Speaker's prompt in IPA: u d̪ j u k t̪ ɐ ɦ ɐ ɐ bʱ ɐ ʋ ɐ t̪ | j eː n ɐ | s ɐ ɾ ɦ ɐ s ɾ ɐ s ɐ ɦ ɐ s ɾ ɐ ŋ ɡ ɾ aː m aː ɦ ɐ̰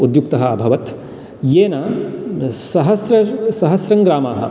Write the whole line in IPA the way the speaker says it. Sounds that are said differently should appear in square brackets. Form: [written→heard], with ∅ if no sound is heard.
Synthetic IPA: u d̪ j u k t̪ ɐ ɦ ɐ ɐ bʱ ɐ ʋ ɐ t̪ | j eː n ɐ | s ɐ [ɾ→∅] ɦ ɐ s ɾ ɐ s ɐ ɦ ɐ s ɾ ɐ ŋ ɡ ɾ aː m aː ɦ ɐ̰